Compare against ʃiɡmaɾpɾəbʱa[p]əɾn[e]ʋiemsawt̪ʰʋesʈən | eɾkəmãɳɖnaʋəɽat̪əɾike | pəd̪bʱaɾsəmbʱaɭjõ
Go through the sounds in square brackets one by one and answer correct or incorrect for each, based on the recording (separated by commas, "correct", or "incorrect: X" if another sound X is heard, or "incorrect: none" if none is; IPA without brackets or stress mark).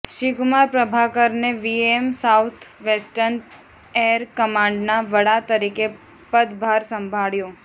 incorrect: k, correct